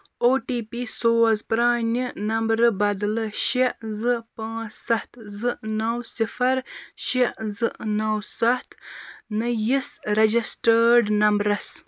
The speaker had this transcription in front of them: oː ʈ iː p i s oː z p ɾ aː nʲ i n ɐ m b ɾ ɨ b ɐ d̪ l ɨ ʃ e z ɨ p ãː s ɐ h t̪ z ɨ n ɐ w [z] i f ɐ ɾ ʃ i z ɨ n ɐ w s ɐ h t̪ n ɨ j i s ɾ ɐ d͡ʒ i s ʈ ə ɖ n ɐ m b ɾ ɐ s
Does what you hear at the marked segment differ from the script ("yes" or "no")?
yes